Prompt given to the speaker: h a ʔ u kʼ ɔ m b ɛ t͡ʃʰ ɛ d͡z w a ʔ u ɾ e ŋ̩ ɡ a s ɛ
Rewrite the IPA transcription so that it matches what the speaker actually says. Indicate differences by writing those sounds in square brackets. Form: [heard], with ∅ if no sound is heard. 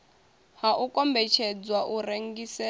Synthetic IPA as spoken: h a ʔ u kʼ ɔ m b ɛ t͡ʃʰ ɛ d͡z w a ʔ u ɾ e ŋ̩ ɡ [i] s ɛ